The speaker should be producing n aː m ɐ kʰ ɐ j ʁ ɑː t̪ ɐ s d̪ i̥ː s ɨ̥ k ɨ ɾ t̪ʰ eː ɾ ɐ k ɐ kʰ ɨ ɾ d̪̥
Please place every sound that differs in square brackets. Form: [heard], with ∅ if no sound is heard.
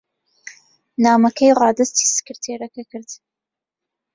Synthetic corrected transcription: n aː m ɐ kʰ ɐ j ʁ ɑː [d̪] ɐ s [t̪] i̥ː s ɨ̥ k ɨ ɾ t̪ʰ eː ɾ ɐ k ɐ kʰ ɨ ɾ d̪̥